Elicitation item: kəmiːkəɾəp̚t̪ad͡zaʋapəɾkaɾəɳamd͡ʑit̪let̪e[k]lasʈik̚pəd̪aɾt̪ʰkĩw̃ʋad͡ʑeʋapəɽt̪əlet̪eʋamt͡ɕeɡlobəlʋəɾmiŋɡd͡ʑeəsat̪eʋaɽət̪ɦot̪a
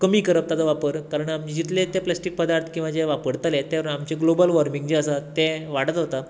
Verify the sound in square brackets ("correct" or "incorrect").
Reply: incorrect